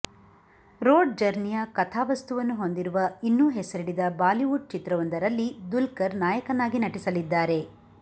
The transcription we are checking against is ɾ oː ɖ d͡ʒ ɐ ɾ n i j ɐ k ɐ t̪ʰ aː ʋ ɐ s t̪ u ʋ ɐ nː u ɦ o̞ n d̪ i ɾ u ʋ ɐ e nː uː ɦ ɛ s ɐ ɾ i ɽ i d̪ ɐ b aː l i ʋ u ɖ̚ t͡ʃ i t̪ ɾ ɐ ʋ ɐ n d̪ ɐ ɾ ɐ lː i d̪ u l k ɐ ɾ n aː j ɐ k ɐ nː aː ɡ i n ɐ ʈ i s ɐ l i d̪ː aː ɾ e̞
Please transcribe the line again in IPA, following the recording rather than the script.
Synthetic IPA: ɾ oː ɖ d͡ʒ ɐ ɾ n i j ɐ k ɐ t̪ʰ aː ʋ ɐ s t̪ u ʋ ɐ nː u ɦ o̞ n d̪ i ɾ u ʋ ɐ i nː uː ɦ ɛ s ɐ ɾ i ɽ i d̪ ɐ b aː l i ʋ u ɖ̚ t͡ʃ i t̪ ɾ ɐ ʋ ɐ n d̪ ɐ ɾ ɐ lː i d̪ u l k ɐ ɾ n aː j ɐ k ɐ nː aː ɡ i n ɐ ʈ i s ɐ l i d̪ː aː ɾ e̞